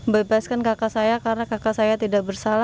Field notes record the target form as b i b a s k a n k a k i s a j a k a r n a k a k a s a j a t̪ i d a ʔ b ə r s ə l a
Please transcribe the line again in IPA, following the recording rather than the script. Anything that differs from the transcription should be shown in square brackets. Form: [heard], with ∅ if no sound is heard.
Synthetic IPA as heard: b [e] b a s k a n k a k [a] s a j a k a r n a k a k a s a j a t̪ i d a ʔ b ə r s [a] l a